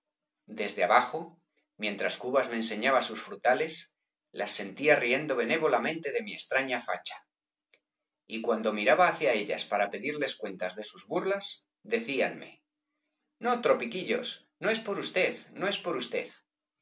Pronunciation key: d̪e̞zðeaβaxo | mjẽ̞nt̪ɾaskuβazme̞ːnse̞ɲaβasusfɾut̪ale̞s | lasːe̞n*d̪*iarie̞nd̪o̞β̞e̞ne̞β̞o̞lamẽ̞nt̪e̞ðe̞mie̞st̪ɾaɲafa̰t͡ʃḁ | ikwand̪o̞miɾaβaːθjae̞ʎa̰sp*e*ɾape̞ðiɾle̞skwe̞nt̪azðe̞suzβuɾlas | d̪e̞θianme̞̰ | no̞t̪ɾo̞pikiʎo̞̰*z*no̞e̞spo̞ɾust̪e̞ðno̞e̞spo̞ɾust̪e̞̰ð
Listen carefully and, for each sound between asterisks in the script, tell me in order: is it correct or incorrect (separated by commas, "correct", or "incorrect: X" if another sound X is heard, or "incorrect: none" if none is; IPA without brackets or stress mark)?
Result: incorrect: t̪, incorrect: a, incorrect: s